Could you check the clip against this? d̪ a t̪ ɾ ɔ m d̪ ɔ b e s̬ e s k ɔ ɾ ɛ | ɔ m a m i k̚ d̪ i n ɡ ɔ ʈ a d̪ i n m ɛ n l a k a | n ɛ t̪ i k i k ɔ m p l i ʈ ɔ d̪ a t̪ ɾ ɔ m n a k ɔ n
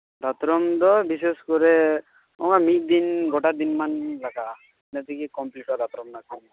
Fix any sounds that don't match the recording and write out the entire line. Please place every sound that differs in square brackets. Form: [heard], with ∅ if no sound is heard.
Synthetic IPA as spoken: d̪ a t̪ ɾ ɔ m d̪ ɔ b [i] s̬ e s k ɔ ɾ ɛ | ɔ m a m i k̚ d̪ i n ɡ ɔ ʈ a d̪ i n m [a] n l a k a | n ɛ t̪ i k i k ɔ m p l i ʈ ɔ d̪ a t̪ ɾ ɔ m n a k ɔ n